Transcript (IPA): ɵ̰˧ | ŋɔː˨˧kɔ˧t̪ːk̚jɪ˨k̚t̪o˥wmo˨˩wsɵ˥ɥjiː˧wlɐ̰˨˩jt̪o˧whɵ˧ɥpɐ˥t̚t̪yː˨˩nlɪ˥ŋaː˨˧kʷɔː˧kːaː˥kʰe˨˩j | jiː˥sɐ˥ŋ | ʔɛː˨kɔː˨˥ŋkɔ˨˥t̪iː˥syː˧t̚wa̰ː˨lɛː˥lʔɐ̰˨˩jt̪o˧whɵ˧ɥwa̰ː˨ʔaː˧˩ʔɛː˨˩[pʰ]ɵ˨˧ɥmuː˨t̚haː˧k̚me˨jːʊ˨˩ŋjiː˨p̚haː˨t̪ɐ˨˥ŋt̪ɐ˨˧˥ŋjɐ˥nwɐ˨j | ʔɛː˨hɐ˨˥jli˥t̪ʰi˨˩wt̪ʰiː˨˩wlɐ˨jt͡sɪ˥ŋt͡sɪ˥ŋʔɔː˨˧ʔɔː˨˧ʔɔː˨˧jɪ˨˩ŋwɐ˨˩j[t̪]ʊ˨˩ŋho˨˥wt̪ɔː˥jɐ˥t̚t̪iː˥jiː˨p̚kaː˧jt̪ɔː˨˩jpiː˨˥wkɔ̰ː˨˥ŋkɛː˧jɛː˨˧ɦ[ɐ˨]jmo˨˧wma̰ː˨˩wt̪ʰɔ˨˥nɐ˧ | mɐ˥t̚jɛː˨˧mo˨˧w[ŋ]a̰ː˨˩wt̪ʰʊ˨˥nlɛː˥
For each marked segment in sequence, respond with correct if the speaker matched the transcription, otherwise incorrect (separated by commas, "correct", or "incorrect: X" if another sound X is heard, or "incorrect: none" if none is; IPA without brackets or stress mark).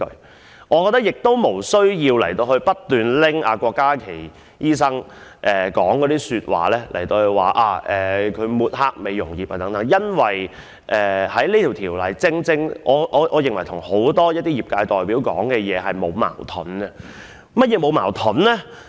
incorrect: kʰ, incorrect: t̪ʰ, correct, incorrect: m